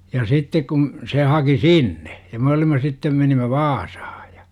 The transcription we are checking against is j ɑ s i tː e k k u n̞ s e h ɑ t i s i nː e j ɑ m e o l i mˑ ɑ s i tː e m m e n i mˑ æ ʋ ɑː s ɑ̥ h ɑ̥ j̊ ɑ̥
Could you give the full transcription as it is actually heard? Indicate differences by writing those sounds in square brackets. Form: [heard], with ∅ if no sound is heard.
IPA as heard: j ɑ s i tː e k k u n̞ s e h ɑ [k] i s i nː e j ɑ m e o l i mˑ ɑ s i tː e m m e n i mˑ æ ʋ ɑː s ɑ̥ h ɑ̥ j̊ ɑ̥